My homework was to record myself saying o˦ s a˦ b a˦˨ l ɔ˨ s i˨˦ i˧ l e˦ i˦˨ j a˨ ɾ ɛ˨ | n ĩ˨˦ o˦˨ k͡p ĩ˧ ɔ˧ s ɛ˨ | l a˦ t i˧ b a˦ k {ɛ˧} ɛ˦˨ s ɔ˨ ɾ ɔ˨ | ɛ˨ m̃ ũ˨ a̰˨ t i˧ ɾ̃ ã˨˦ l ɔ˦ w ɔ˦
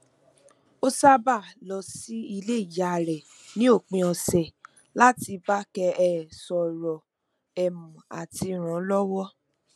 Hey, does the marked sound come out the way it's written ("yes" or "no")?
yes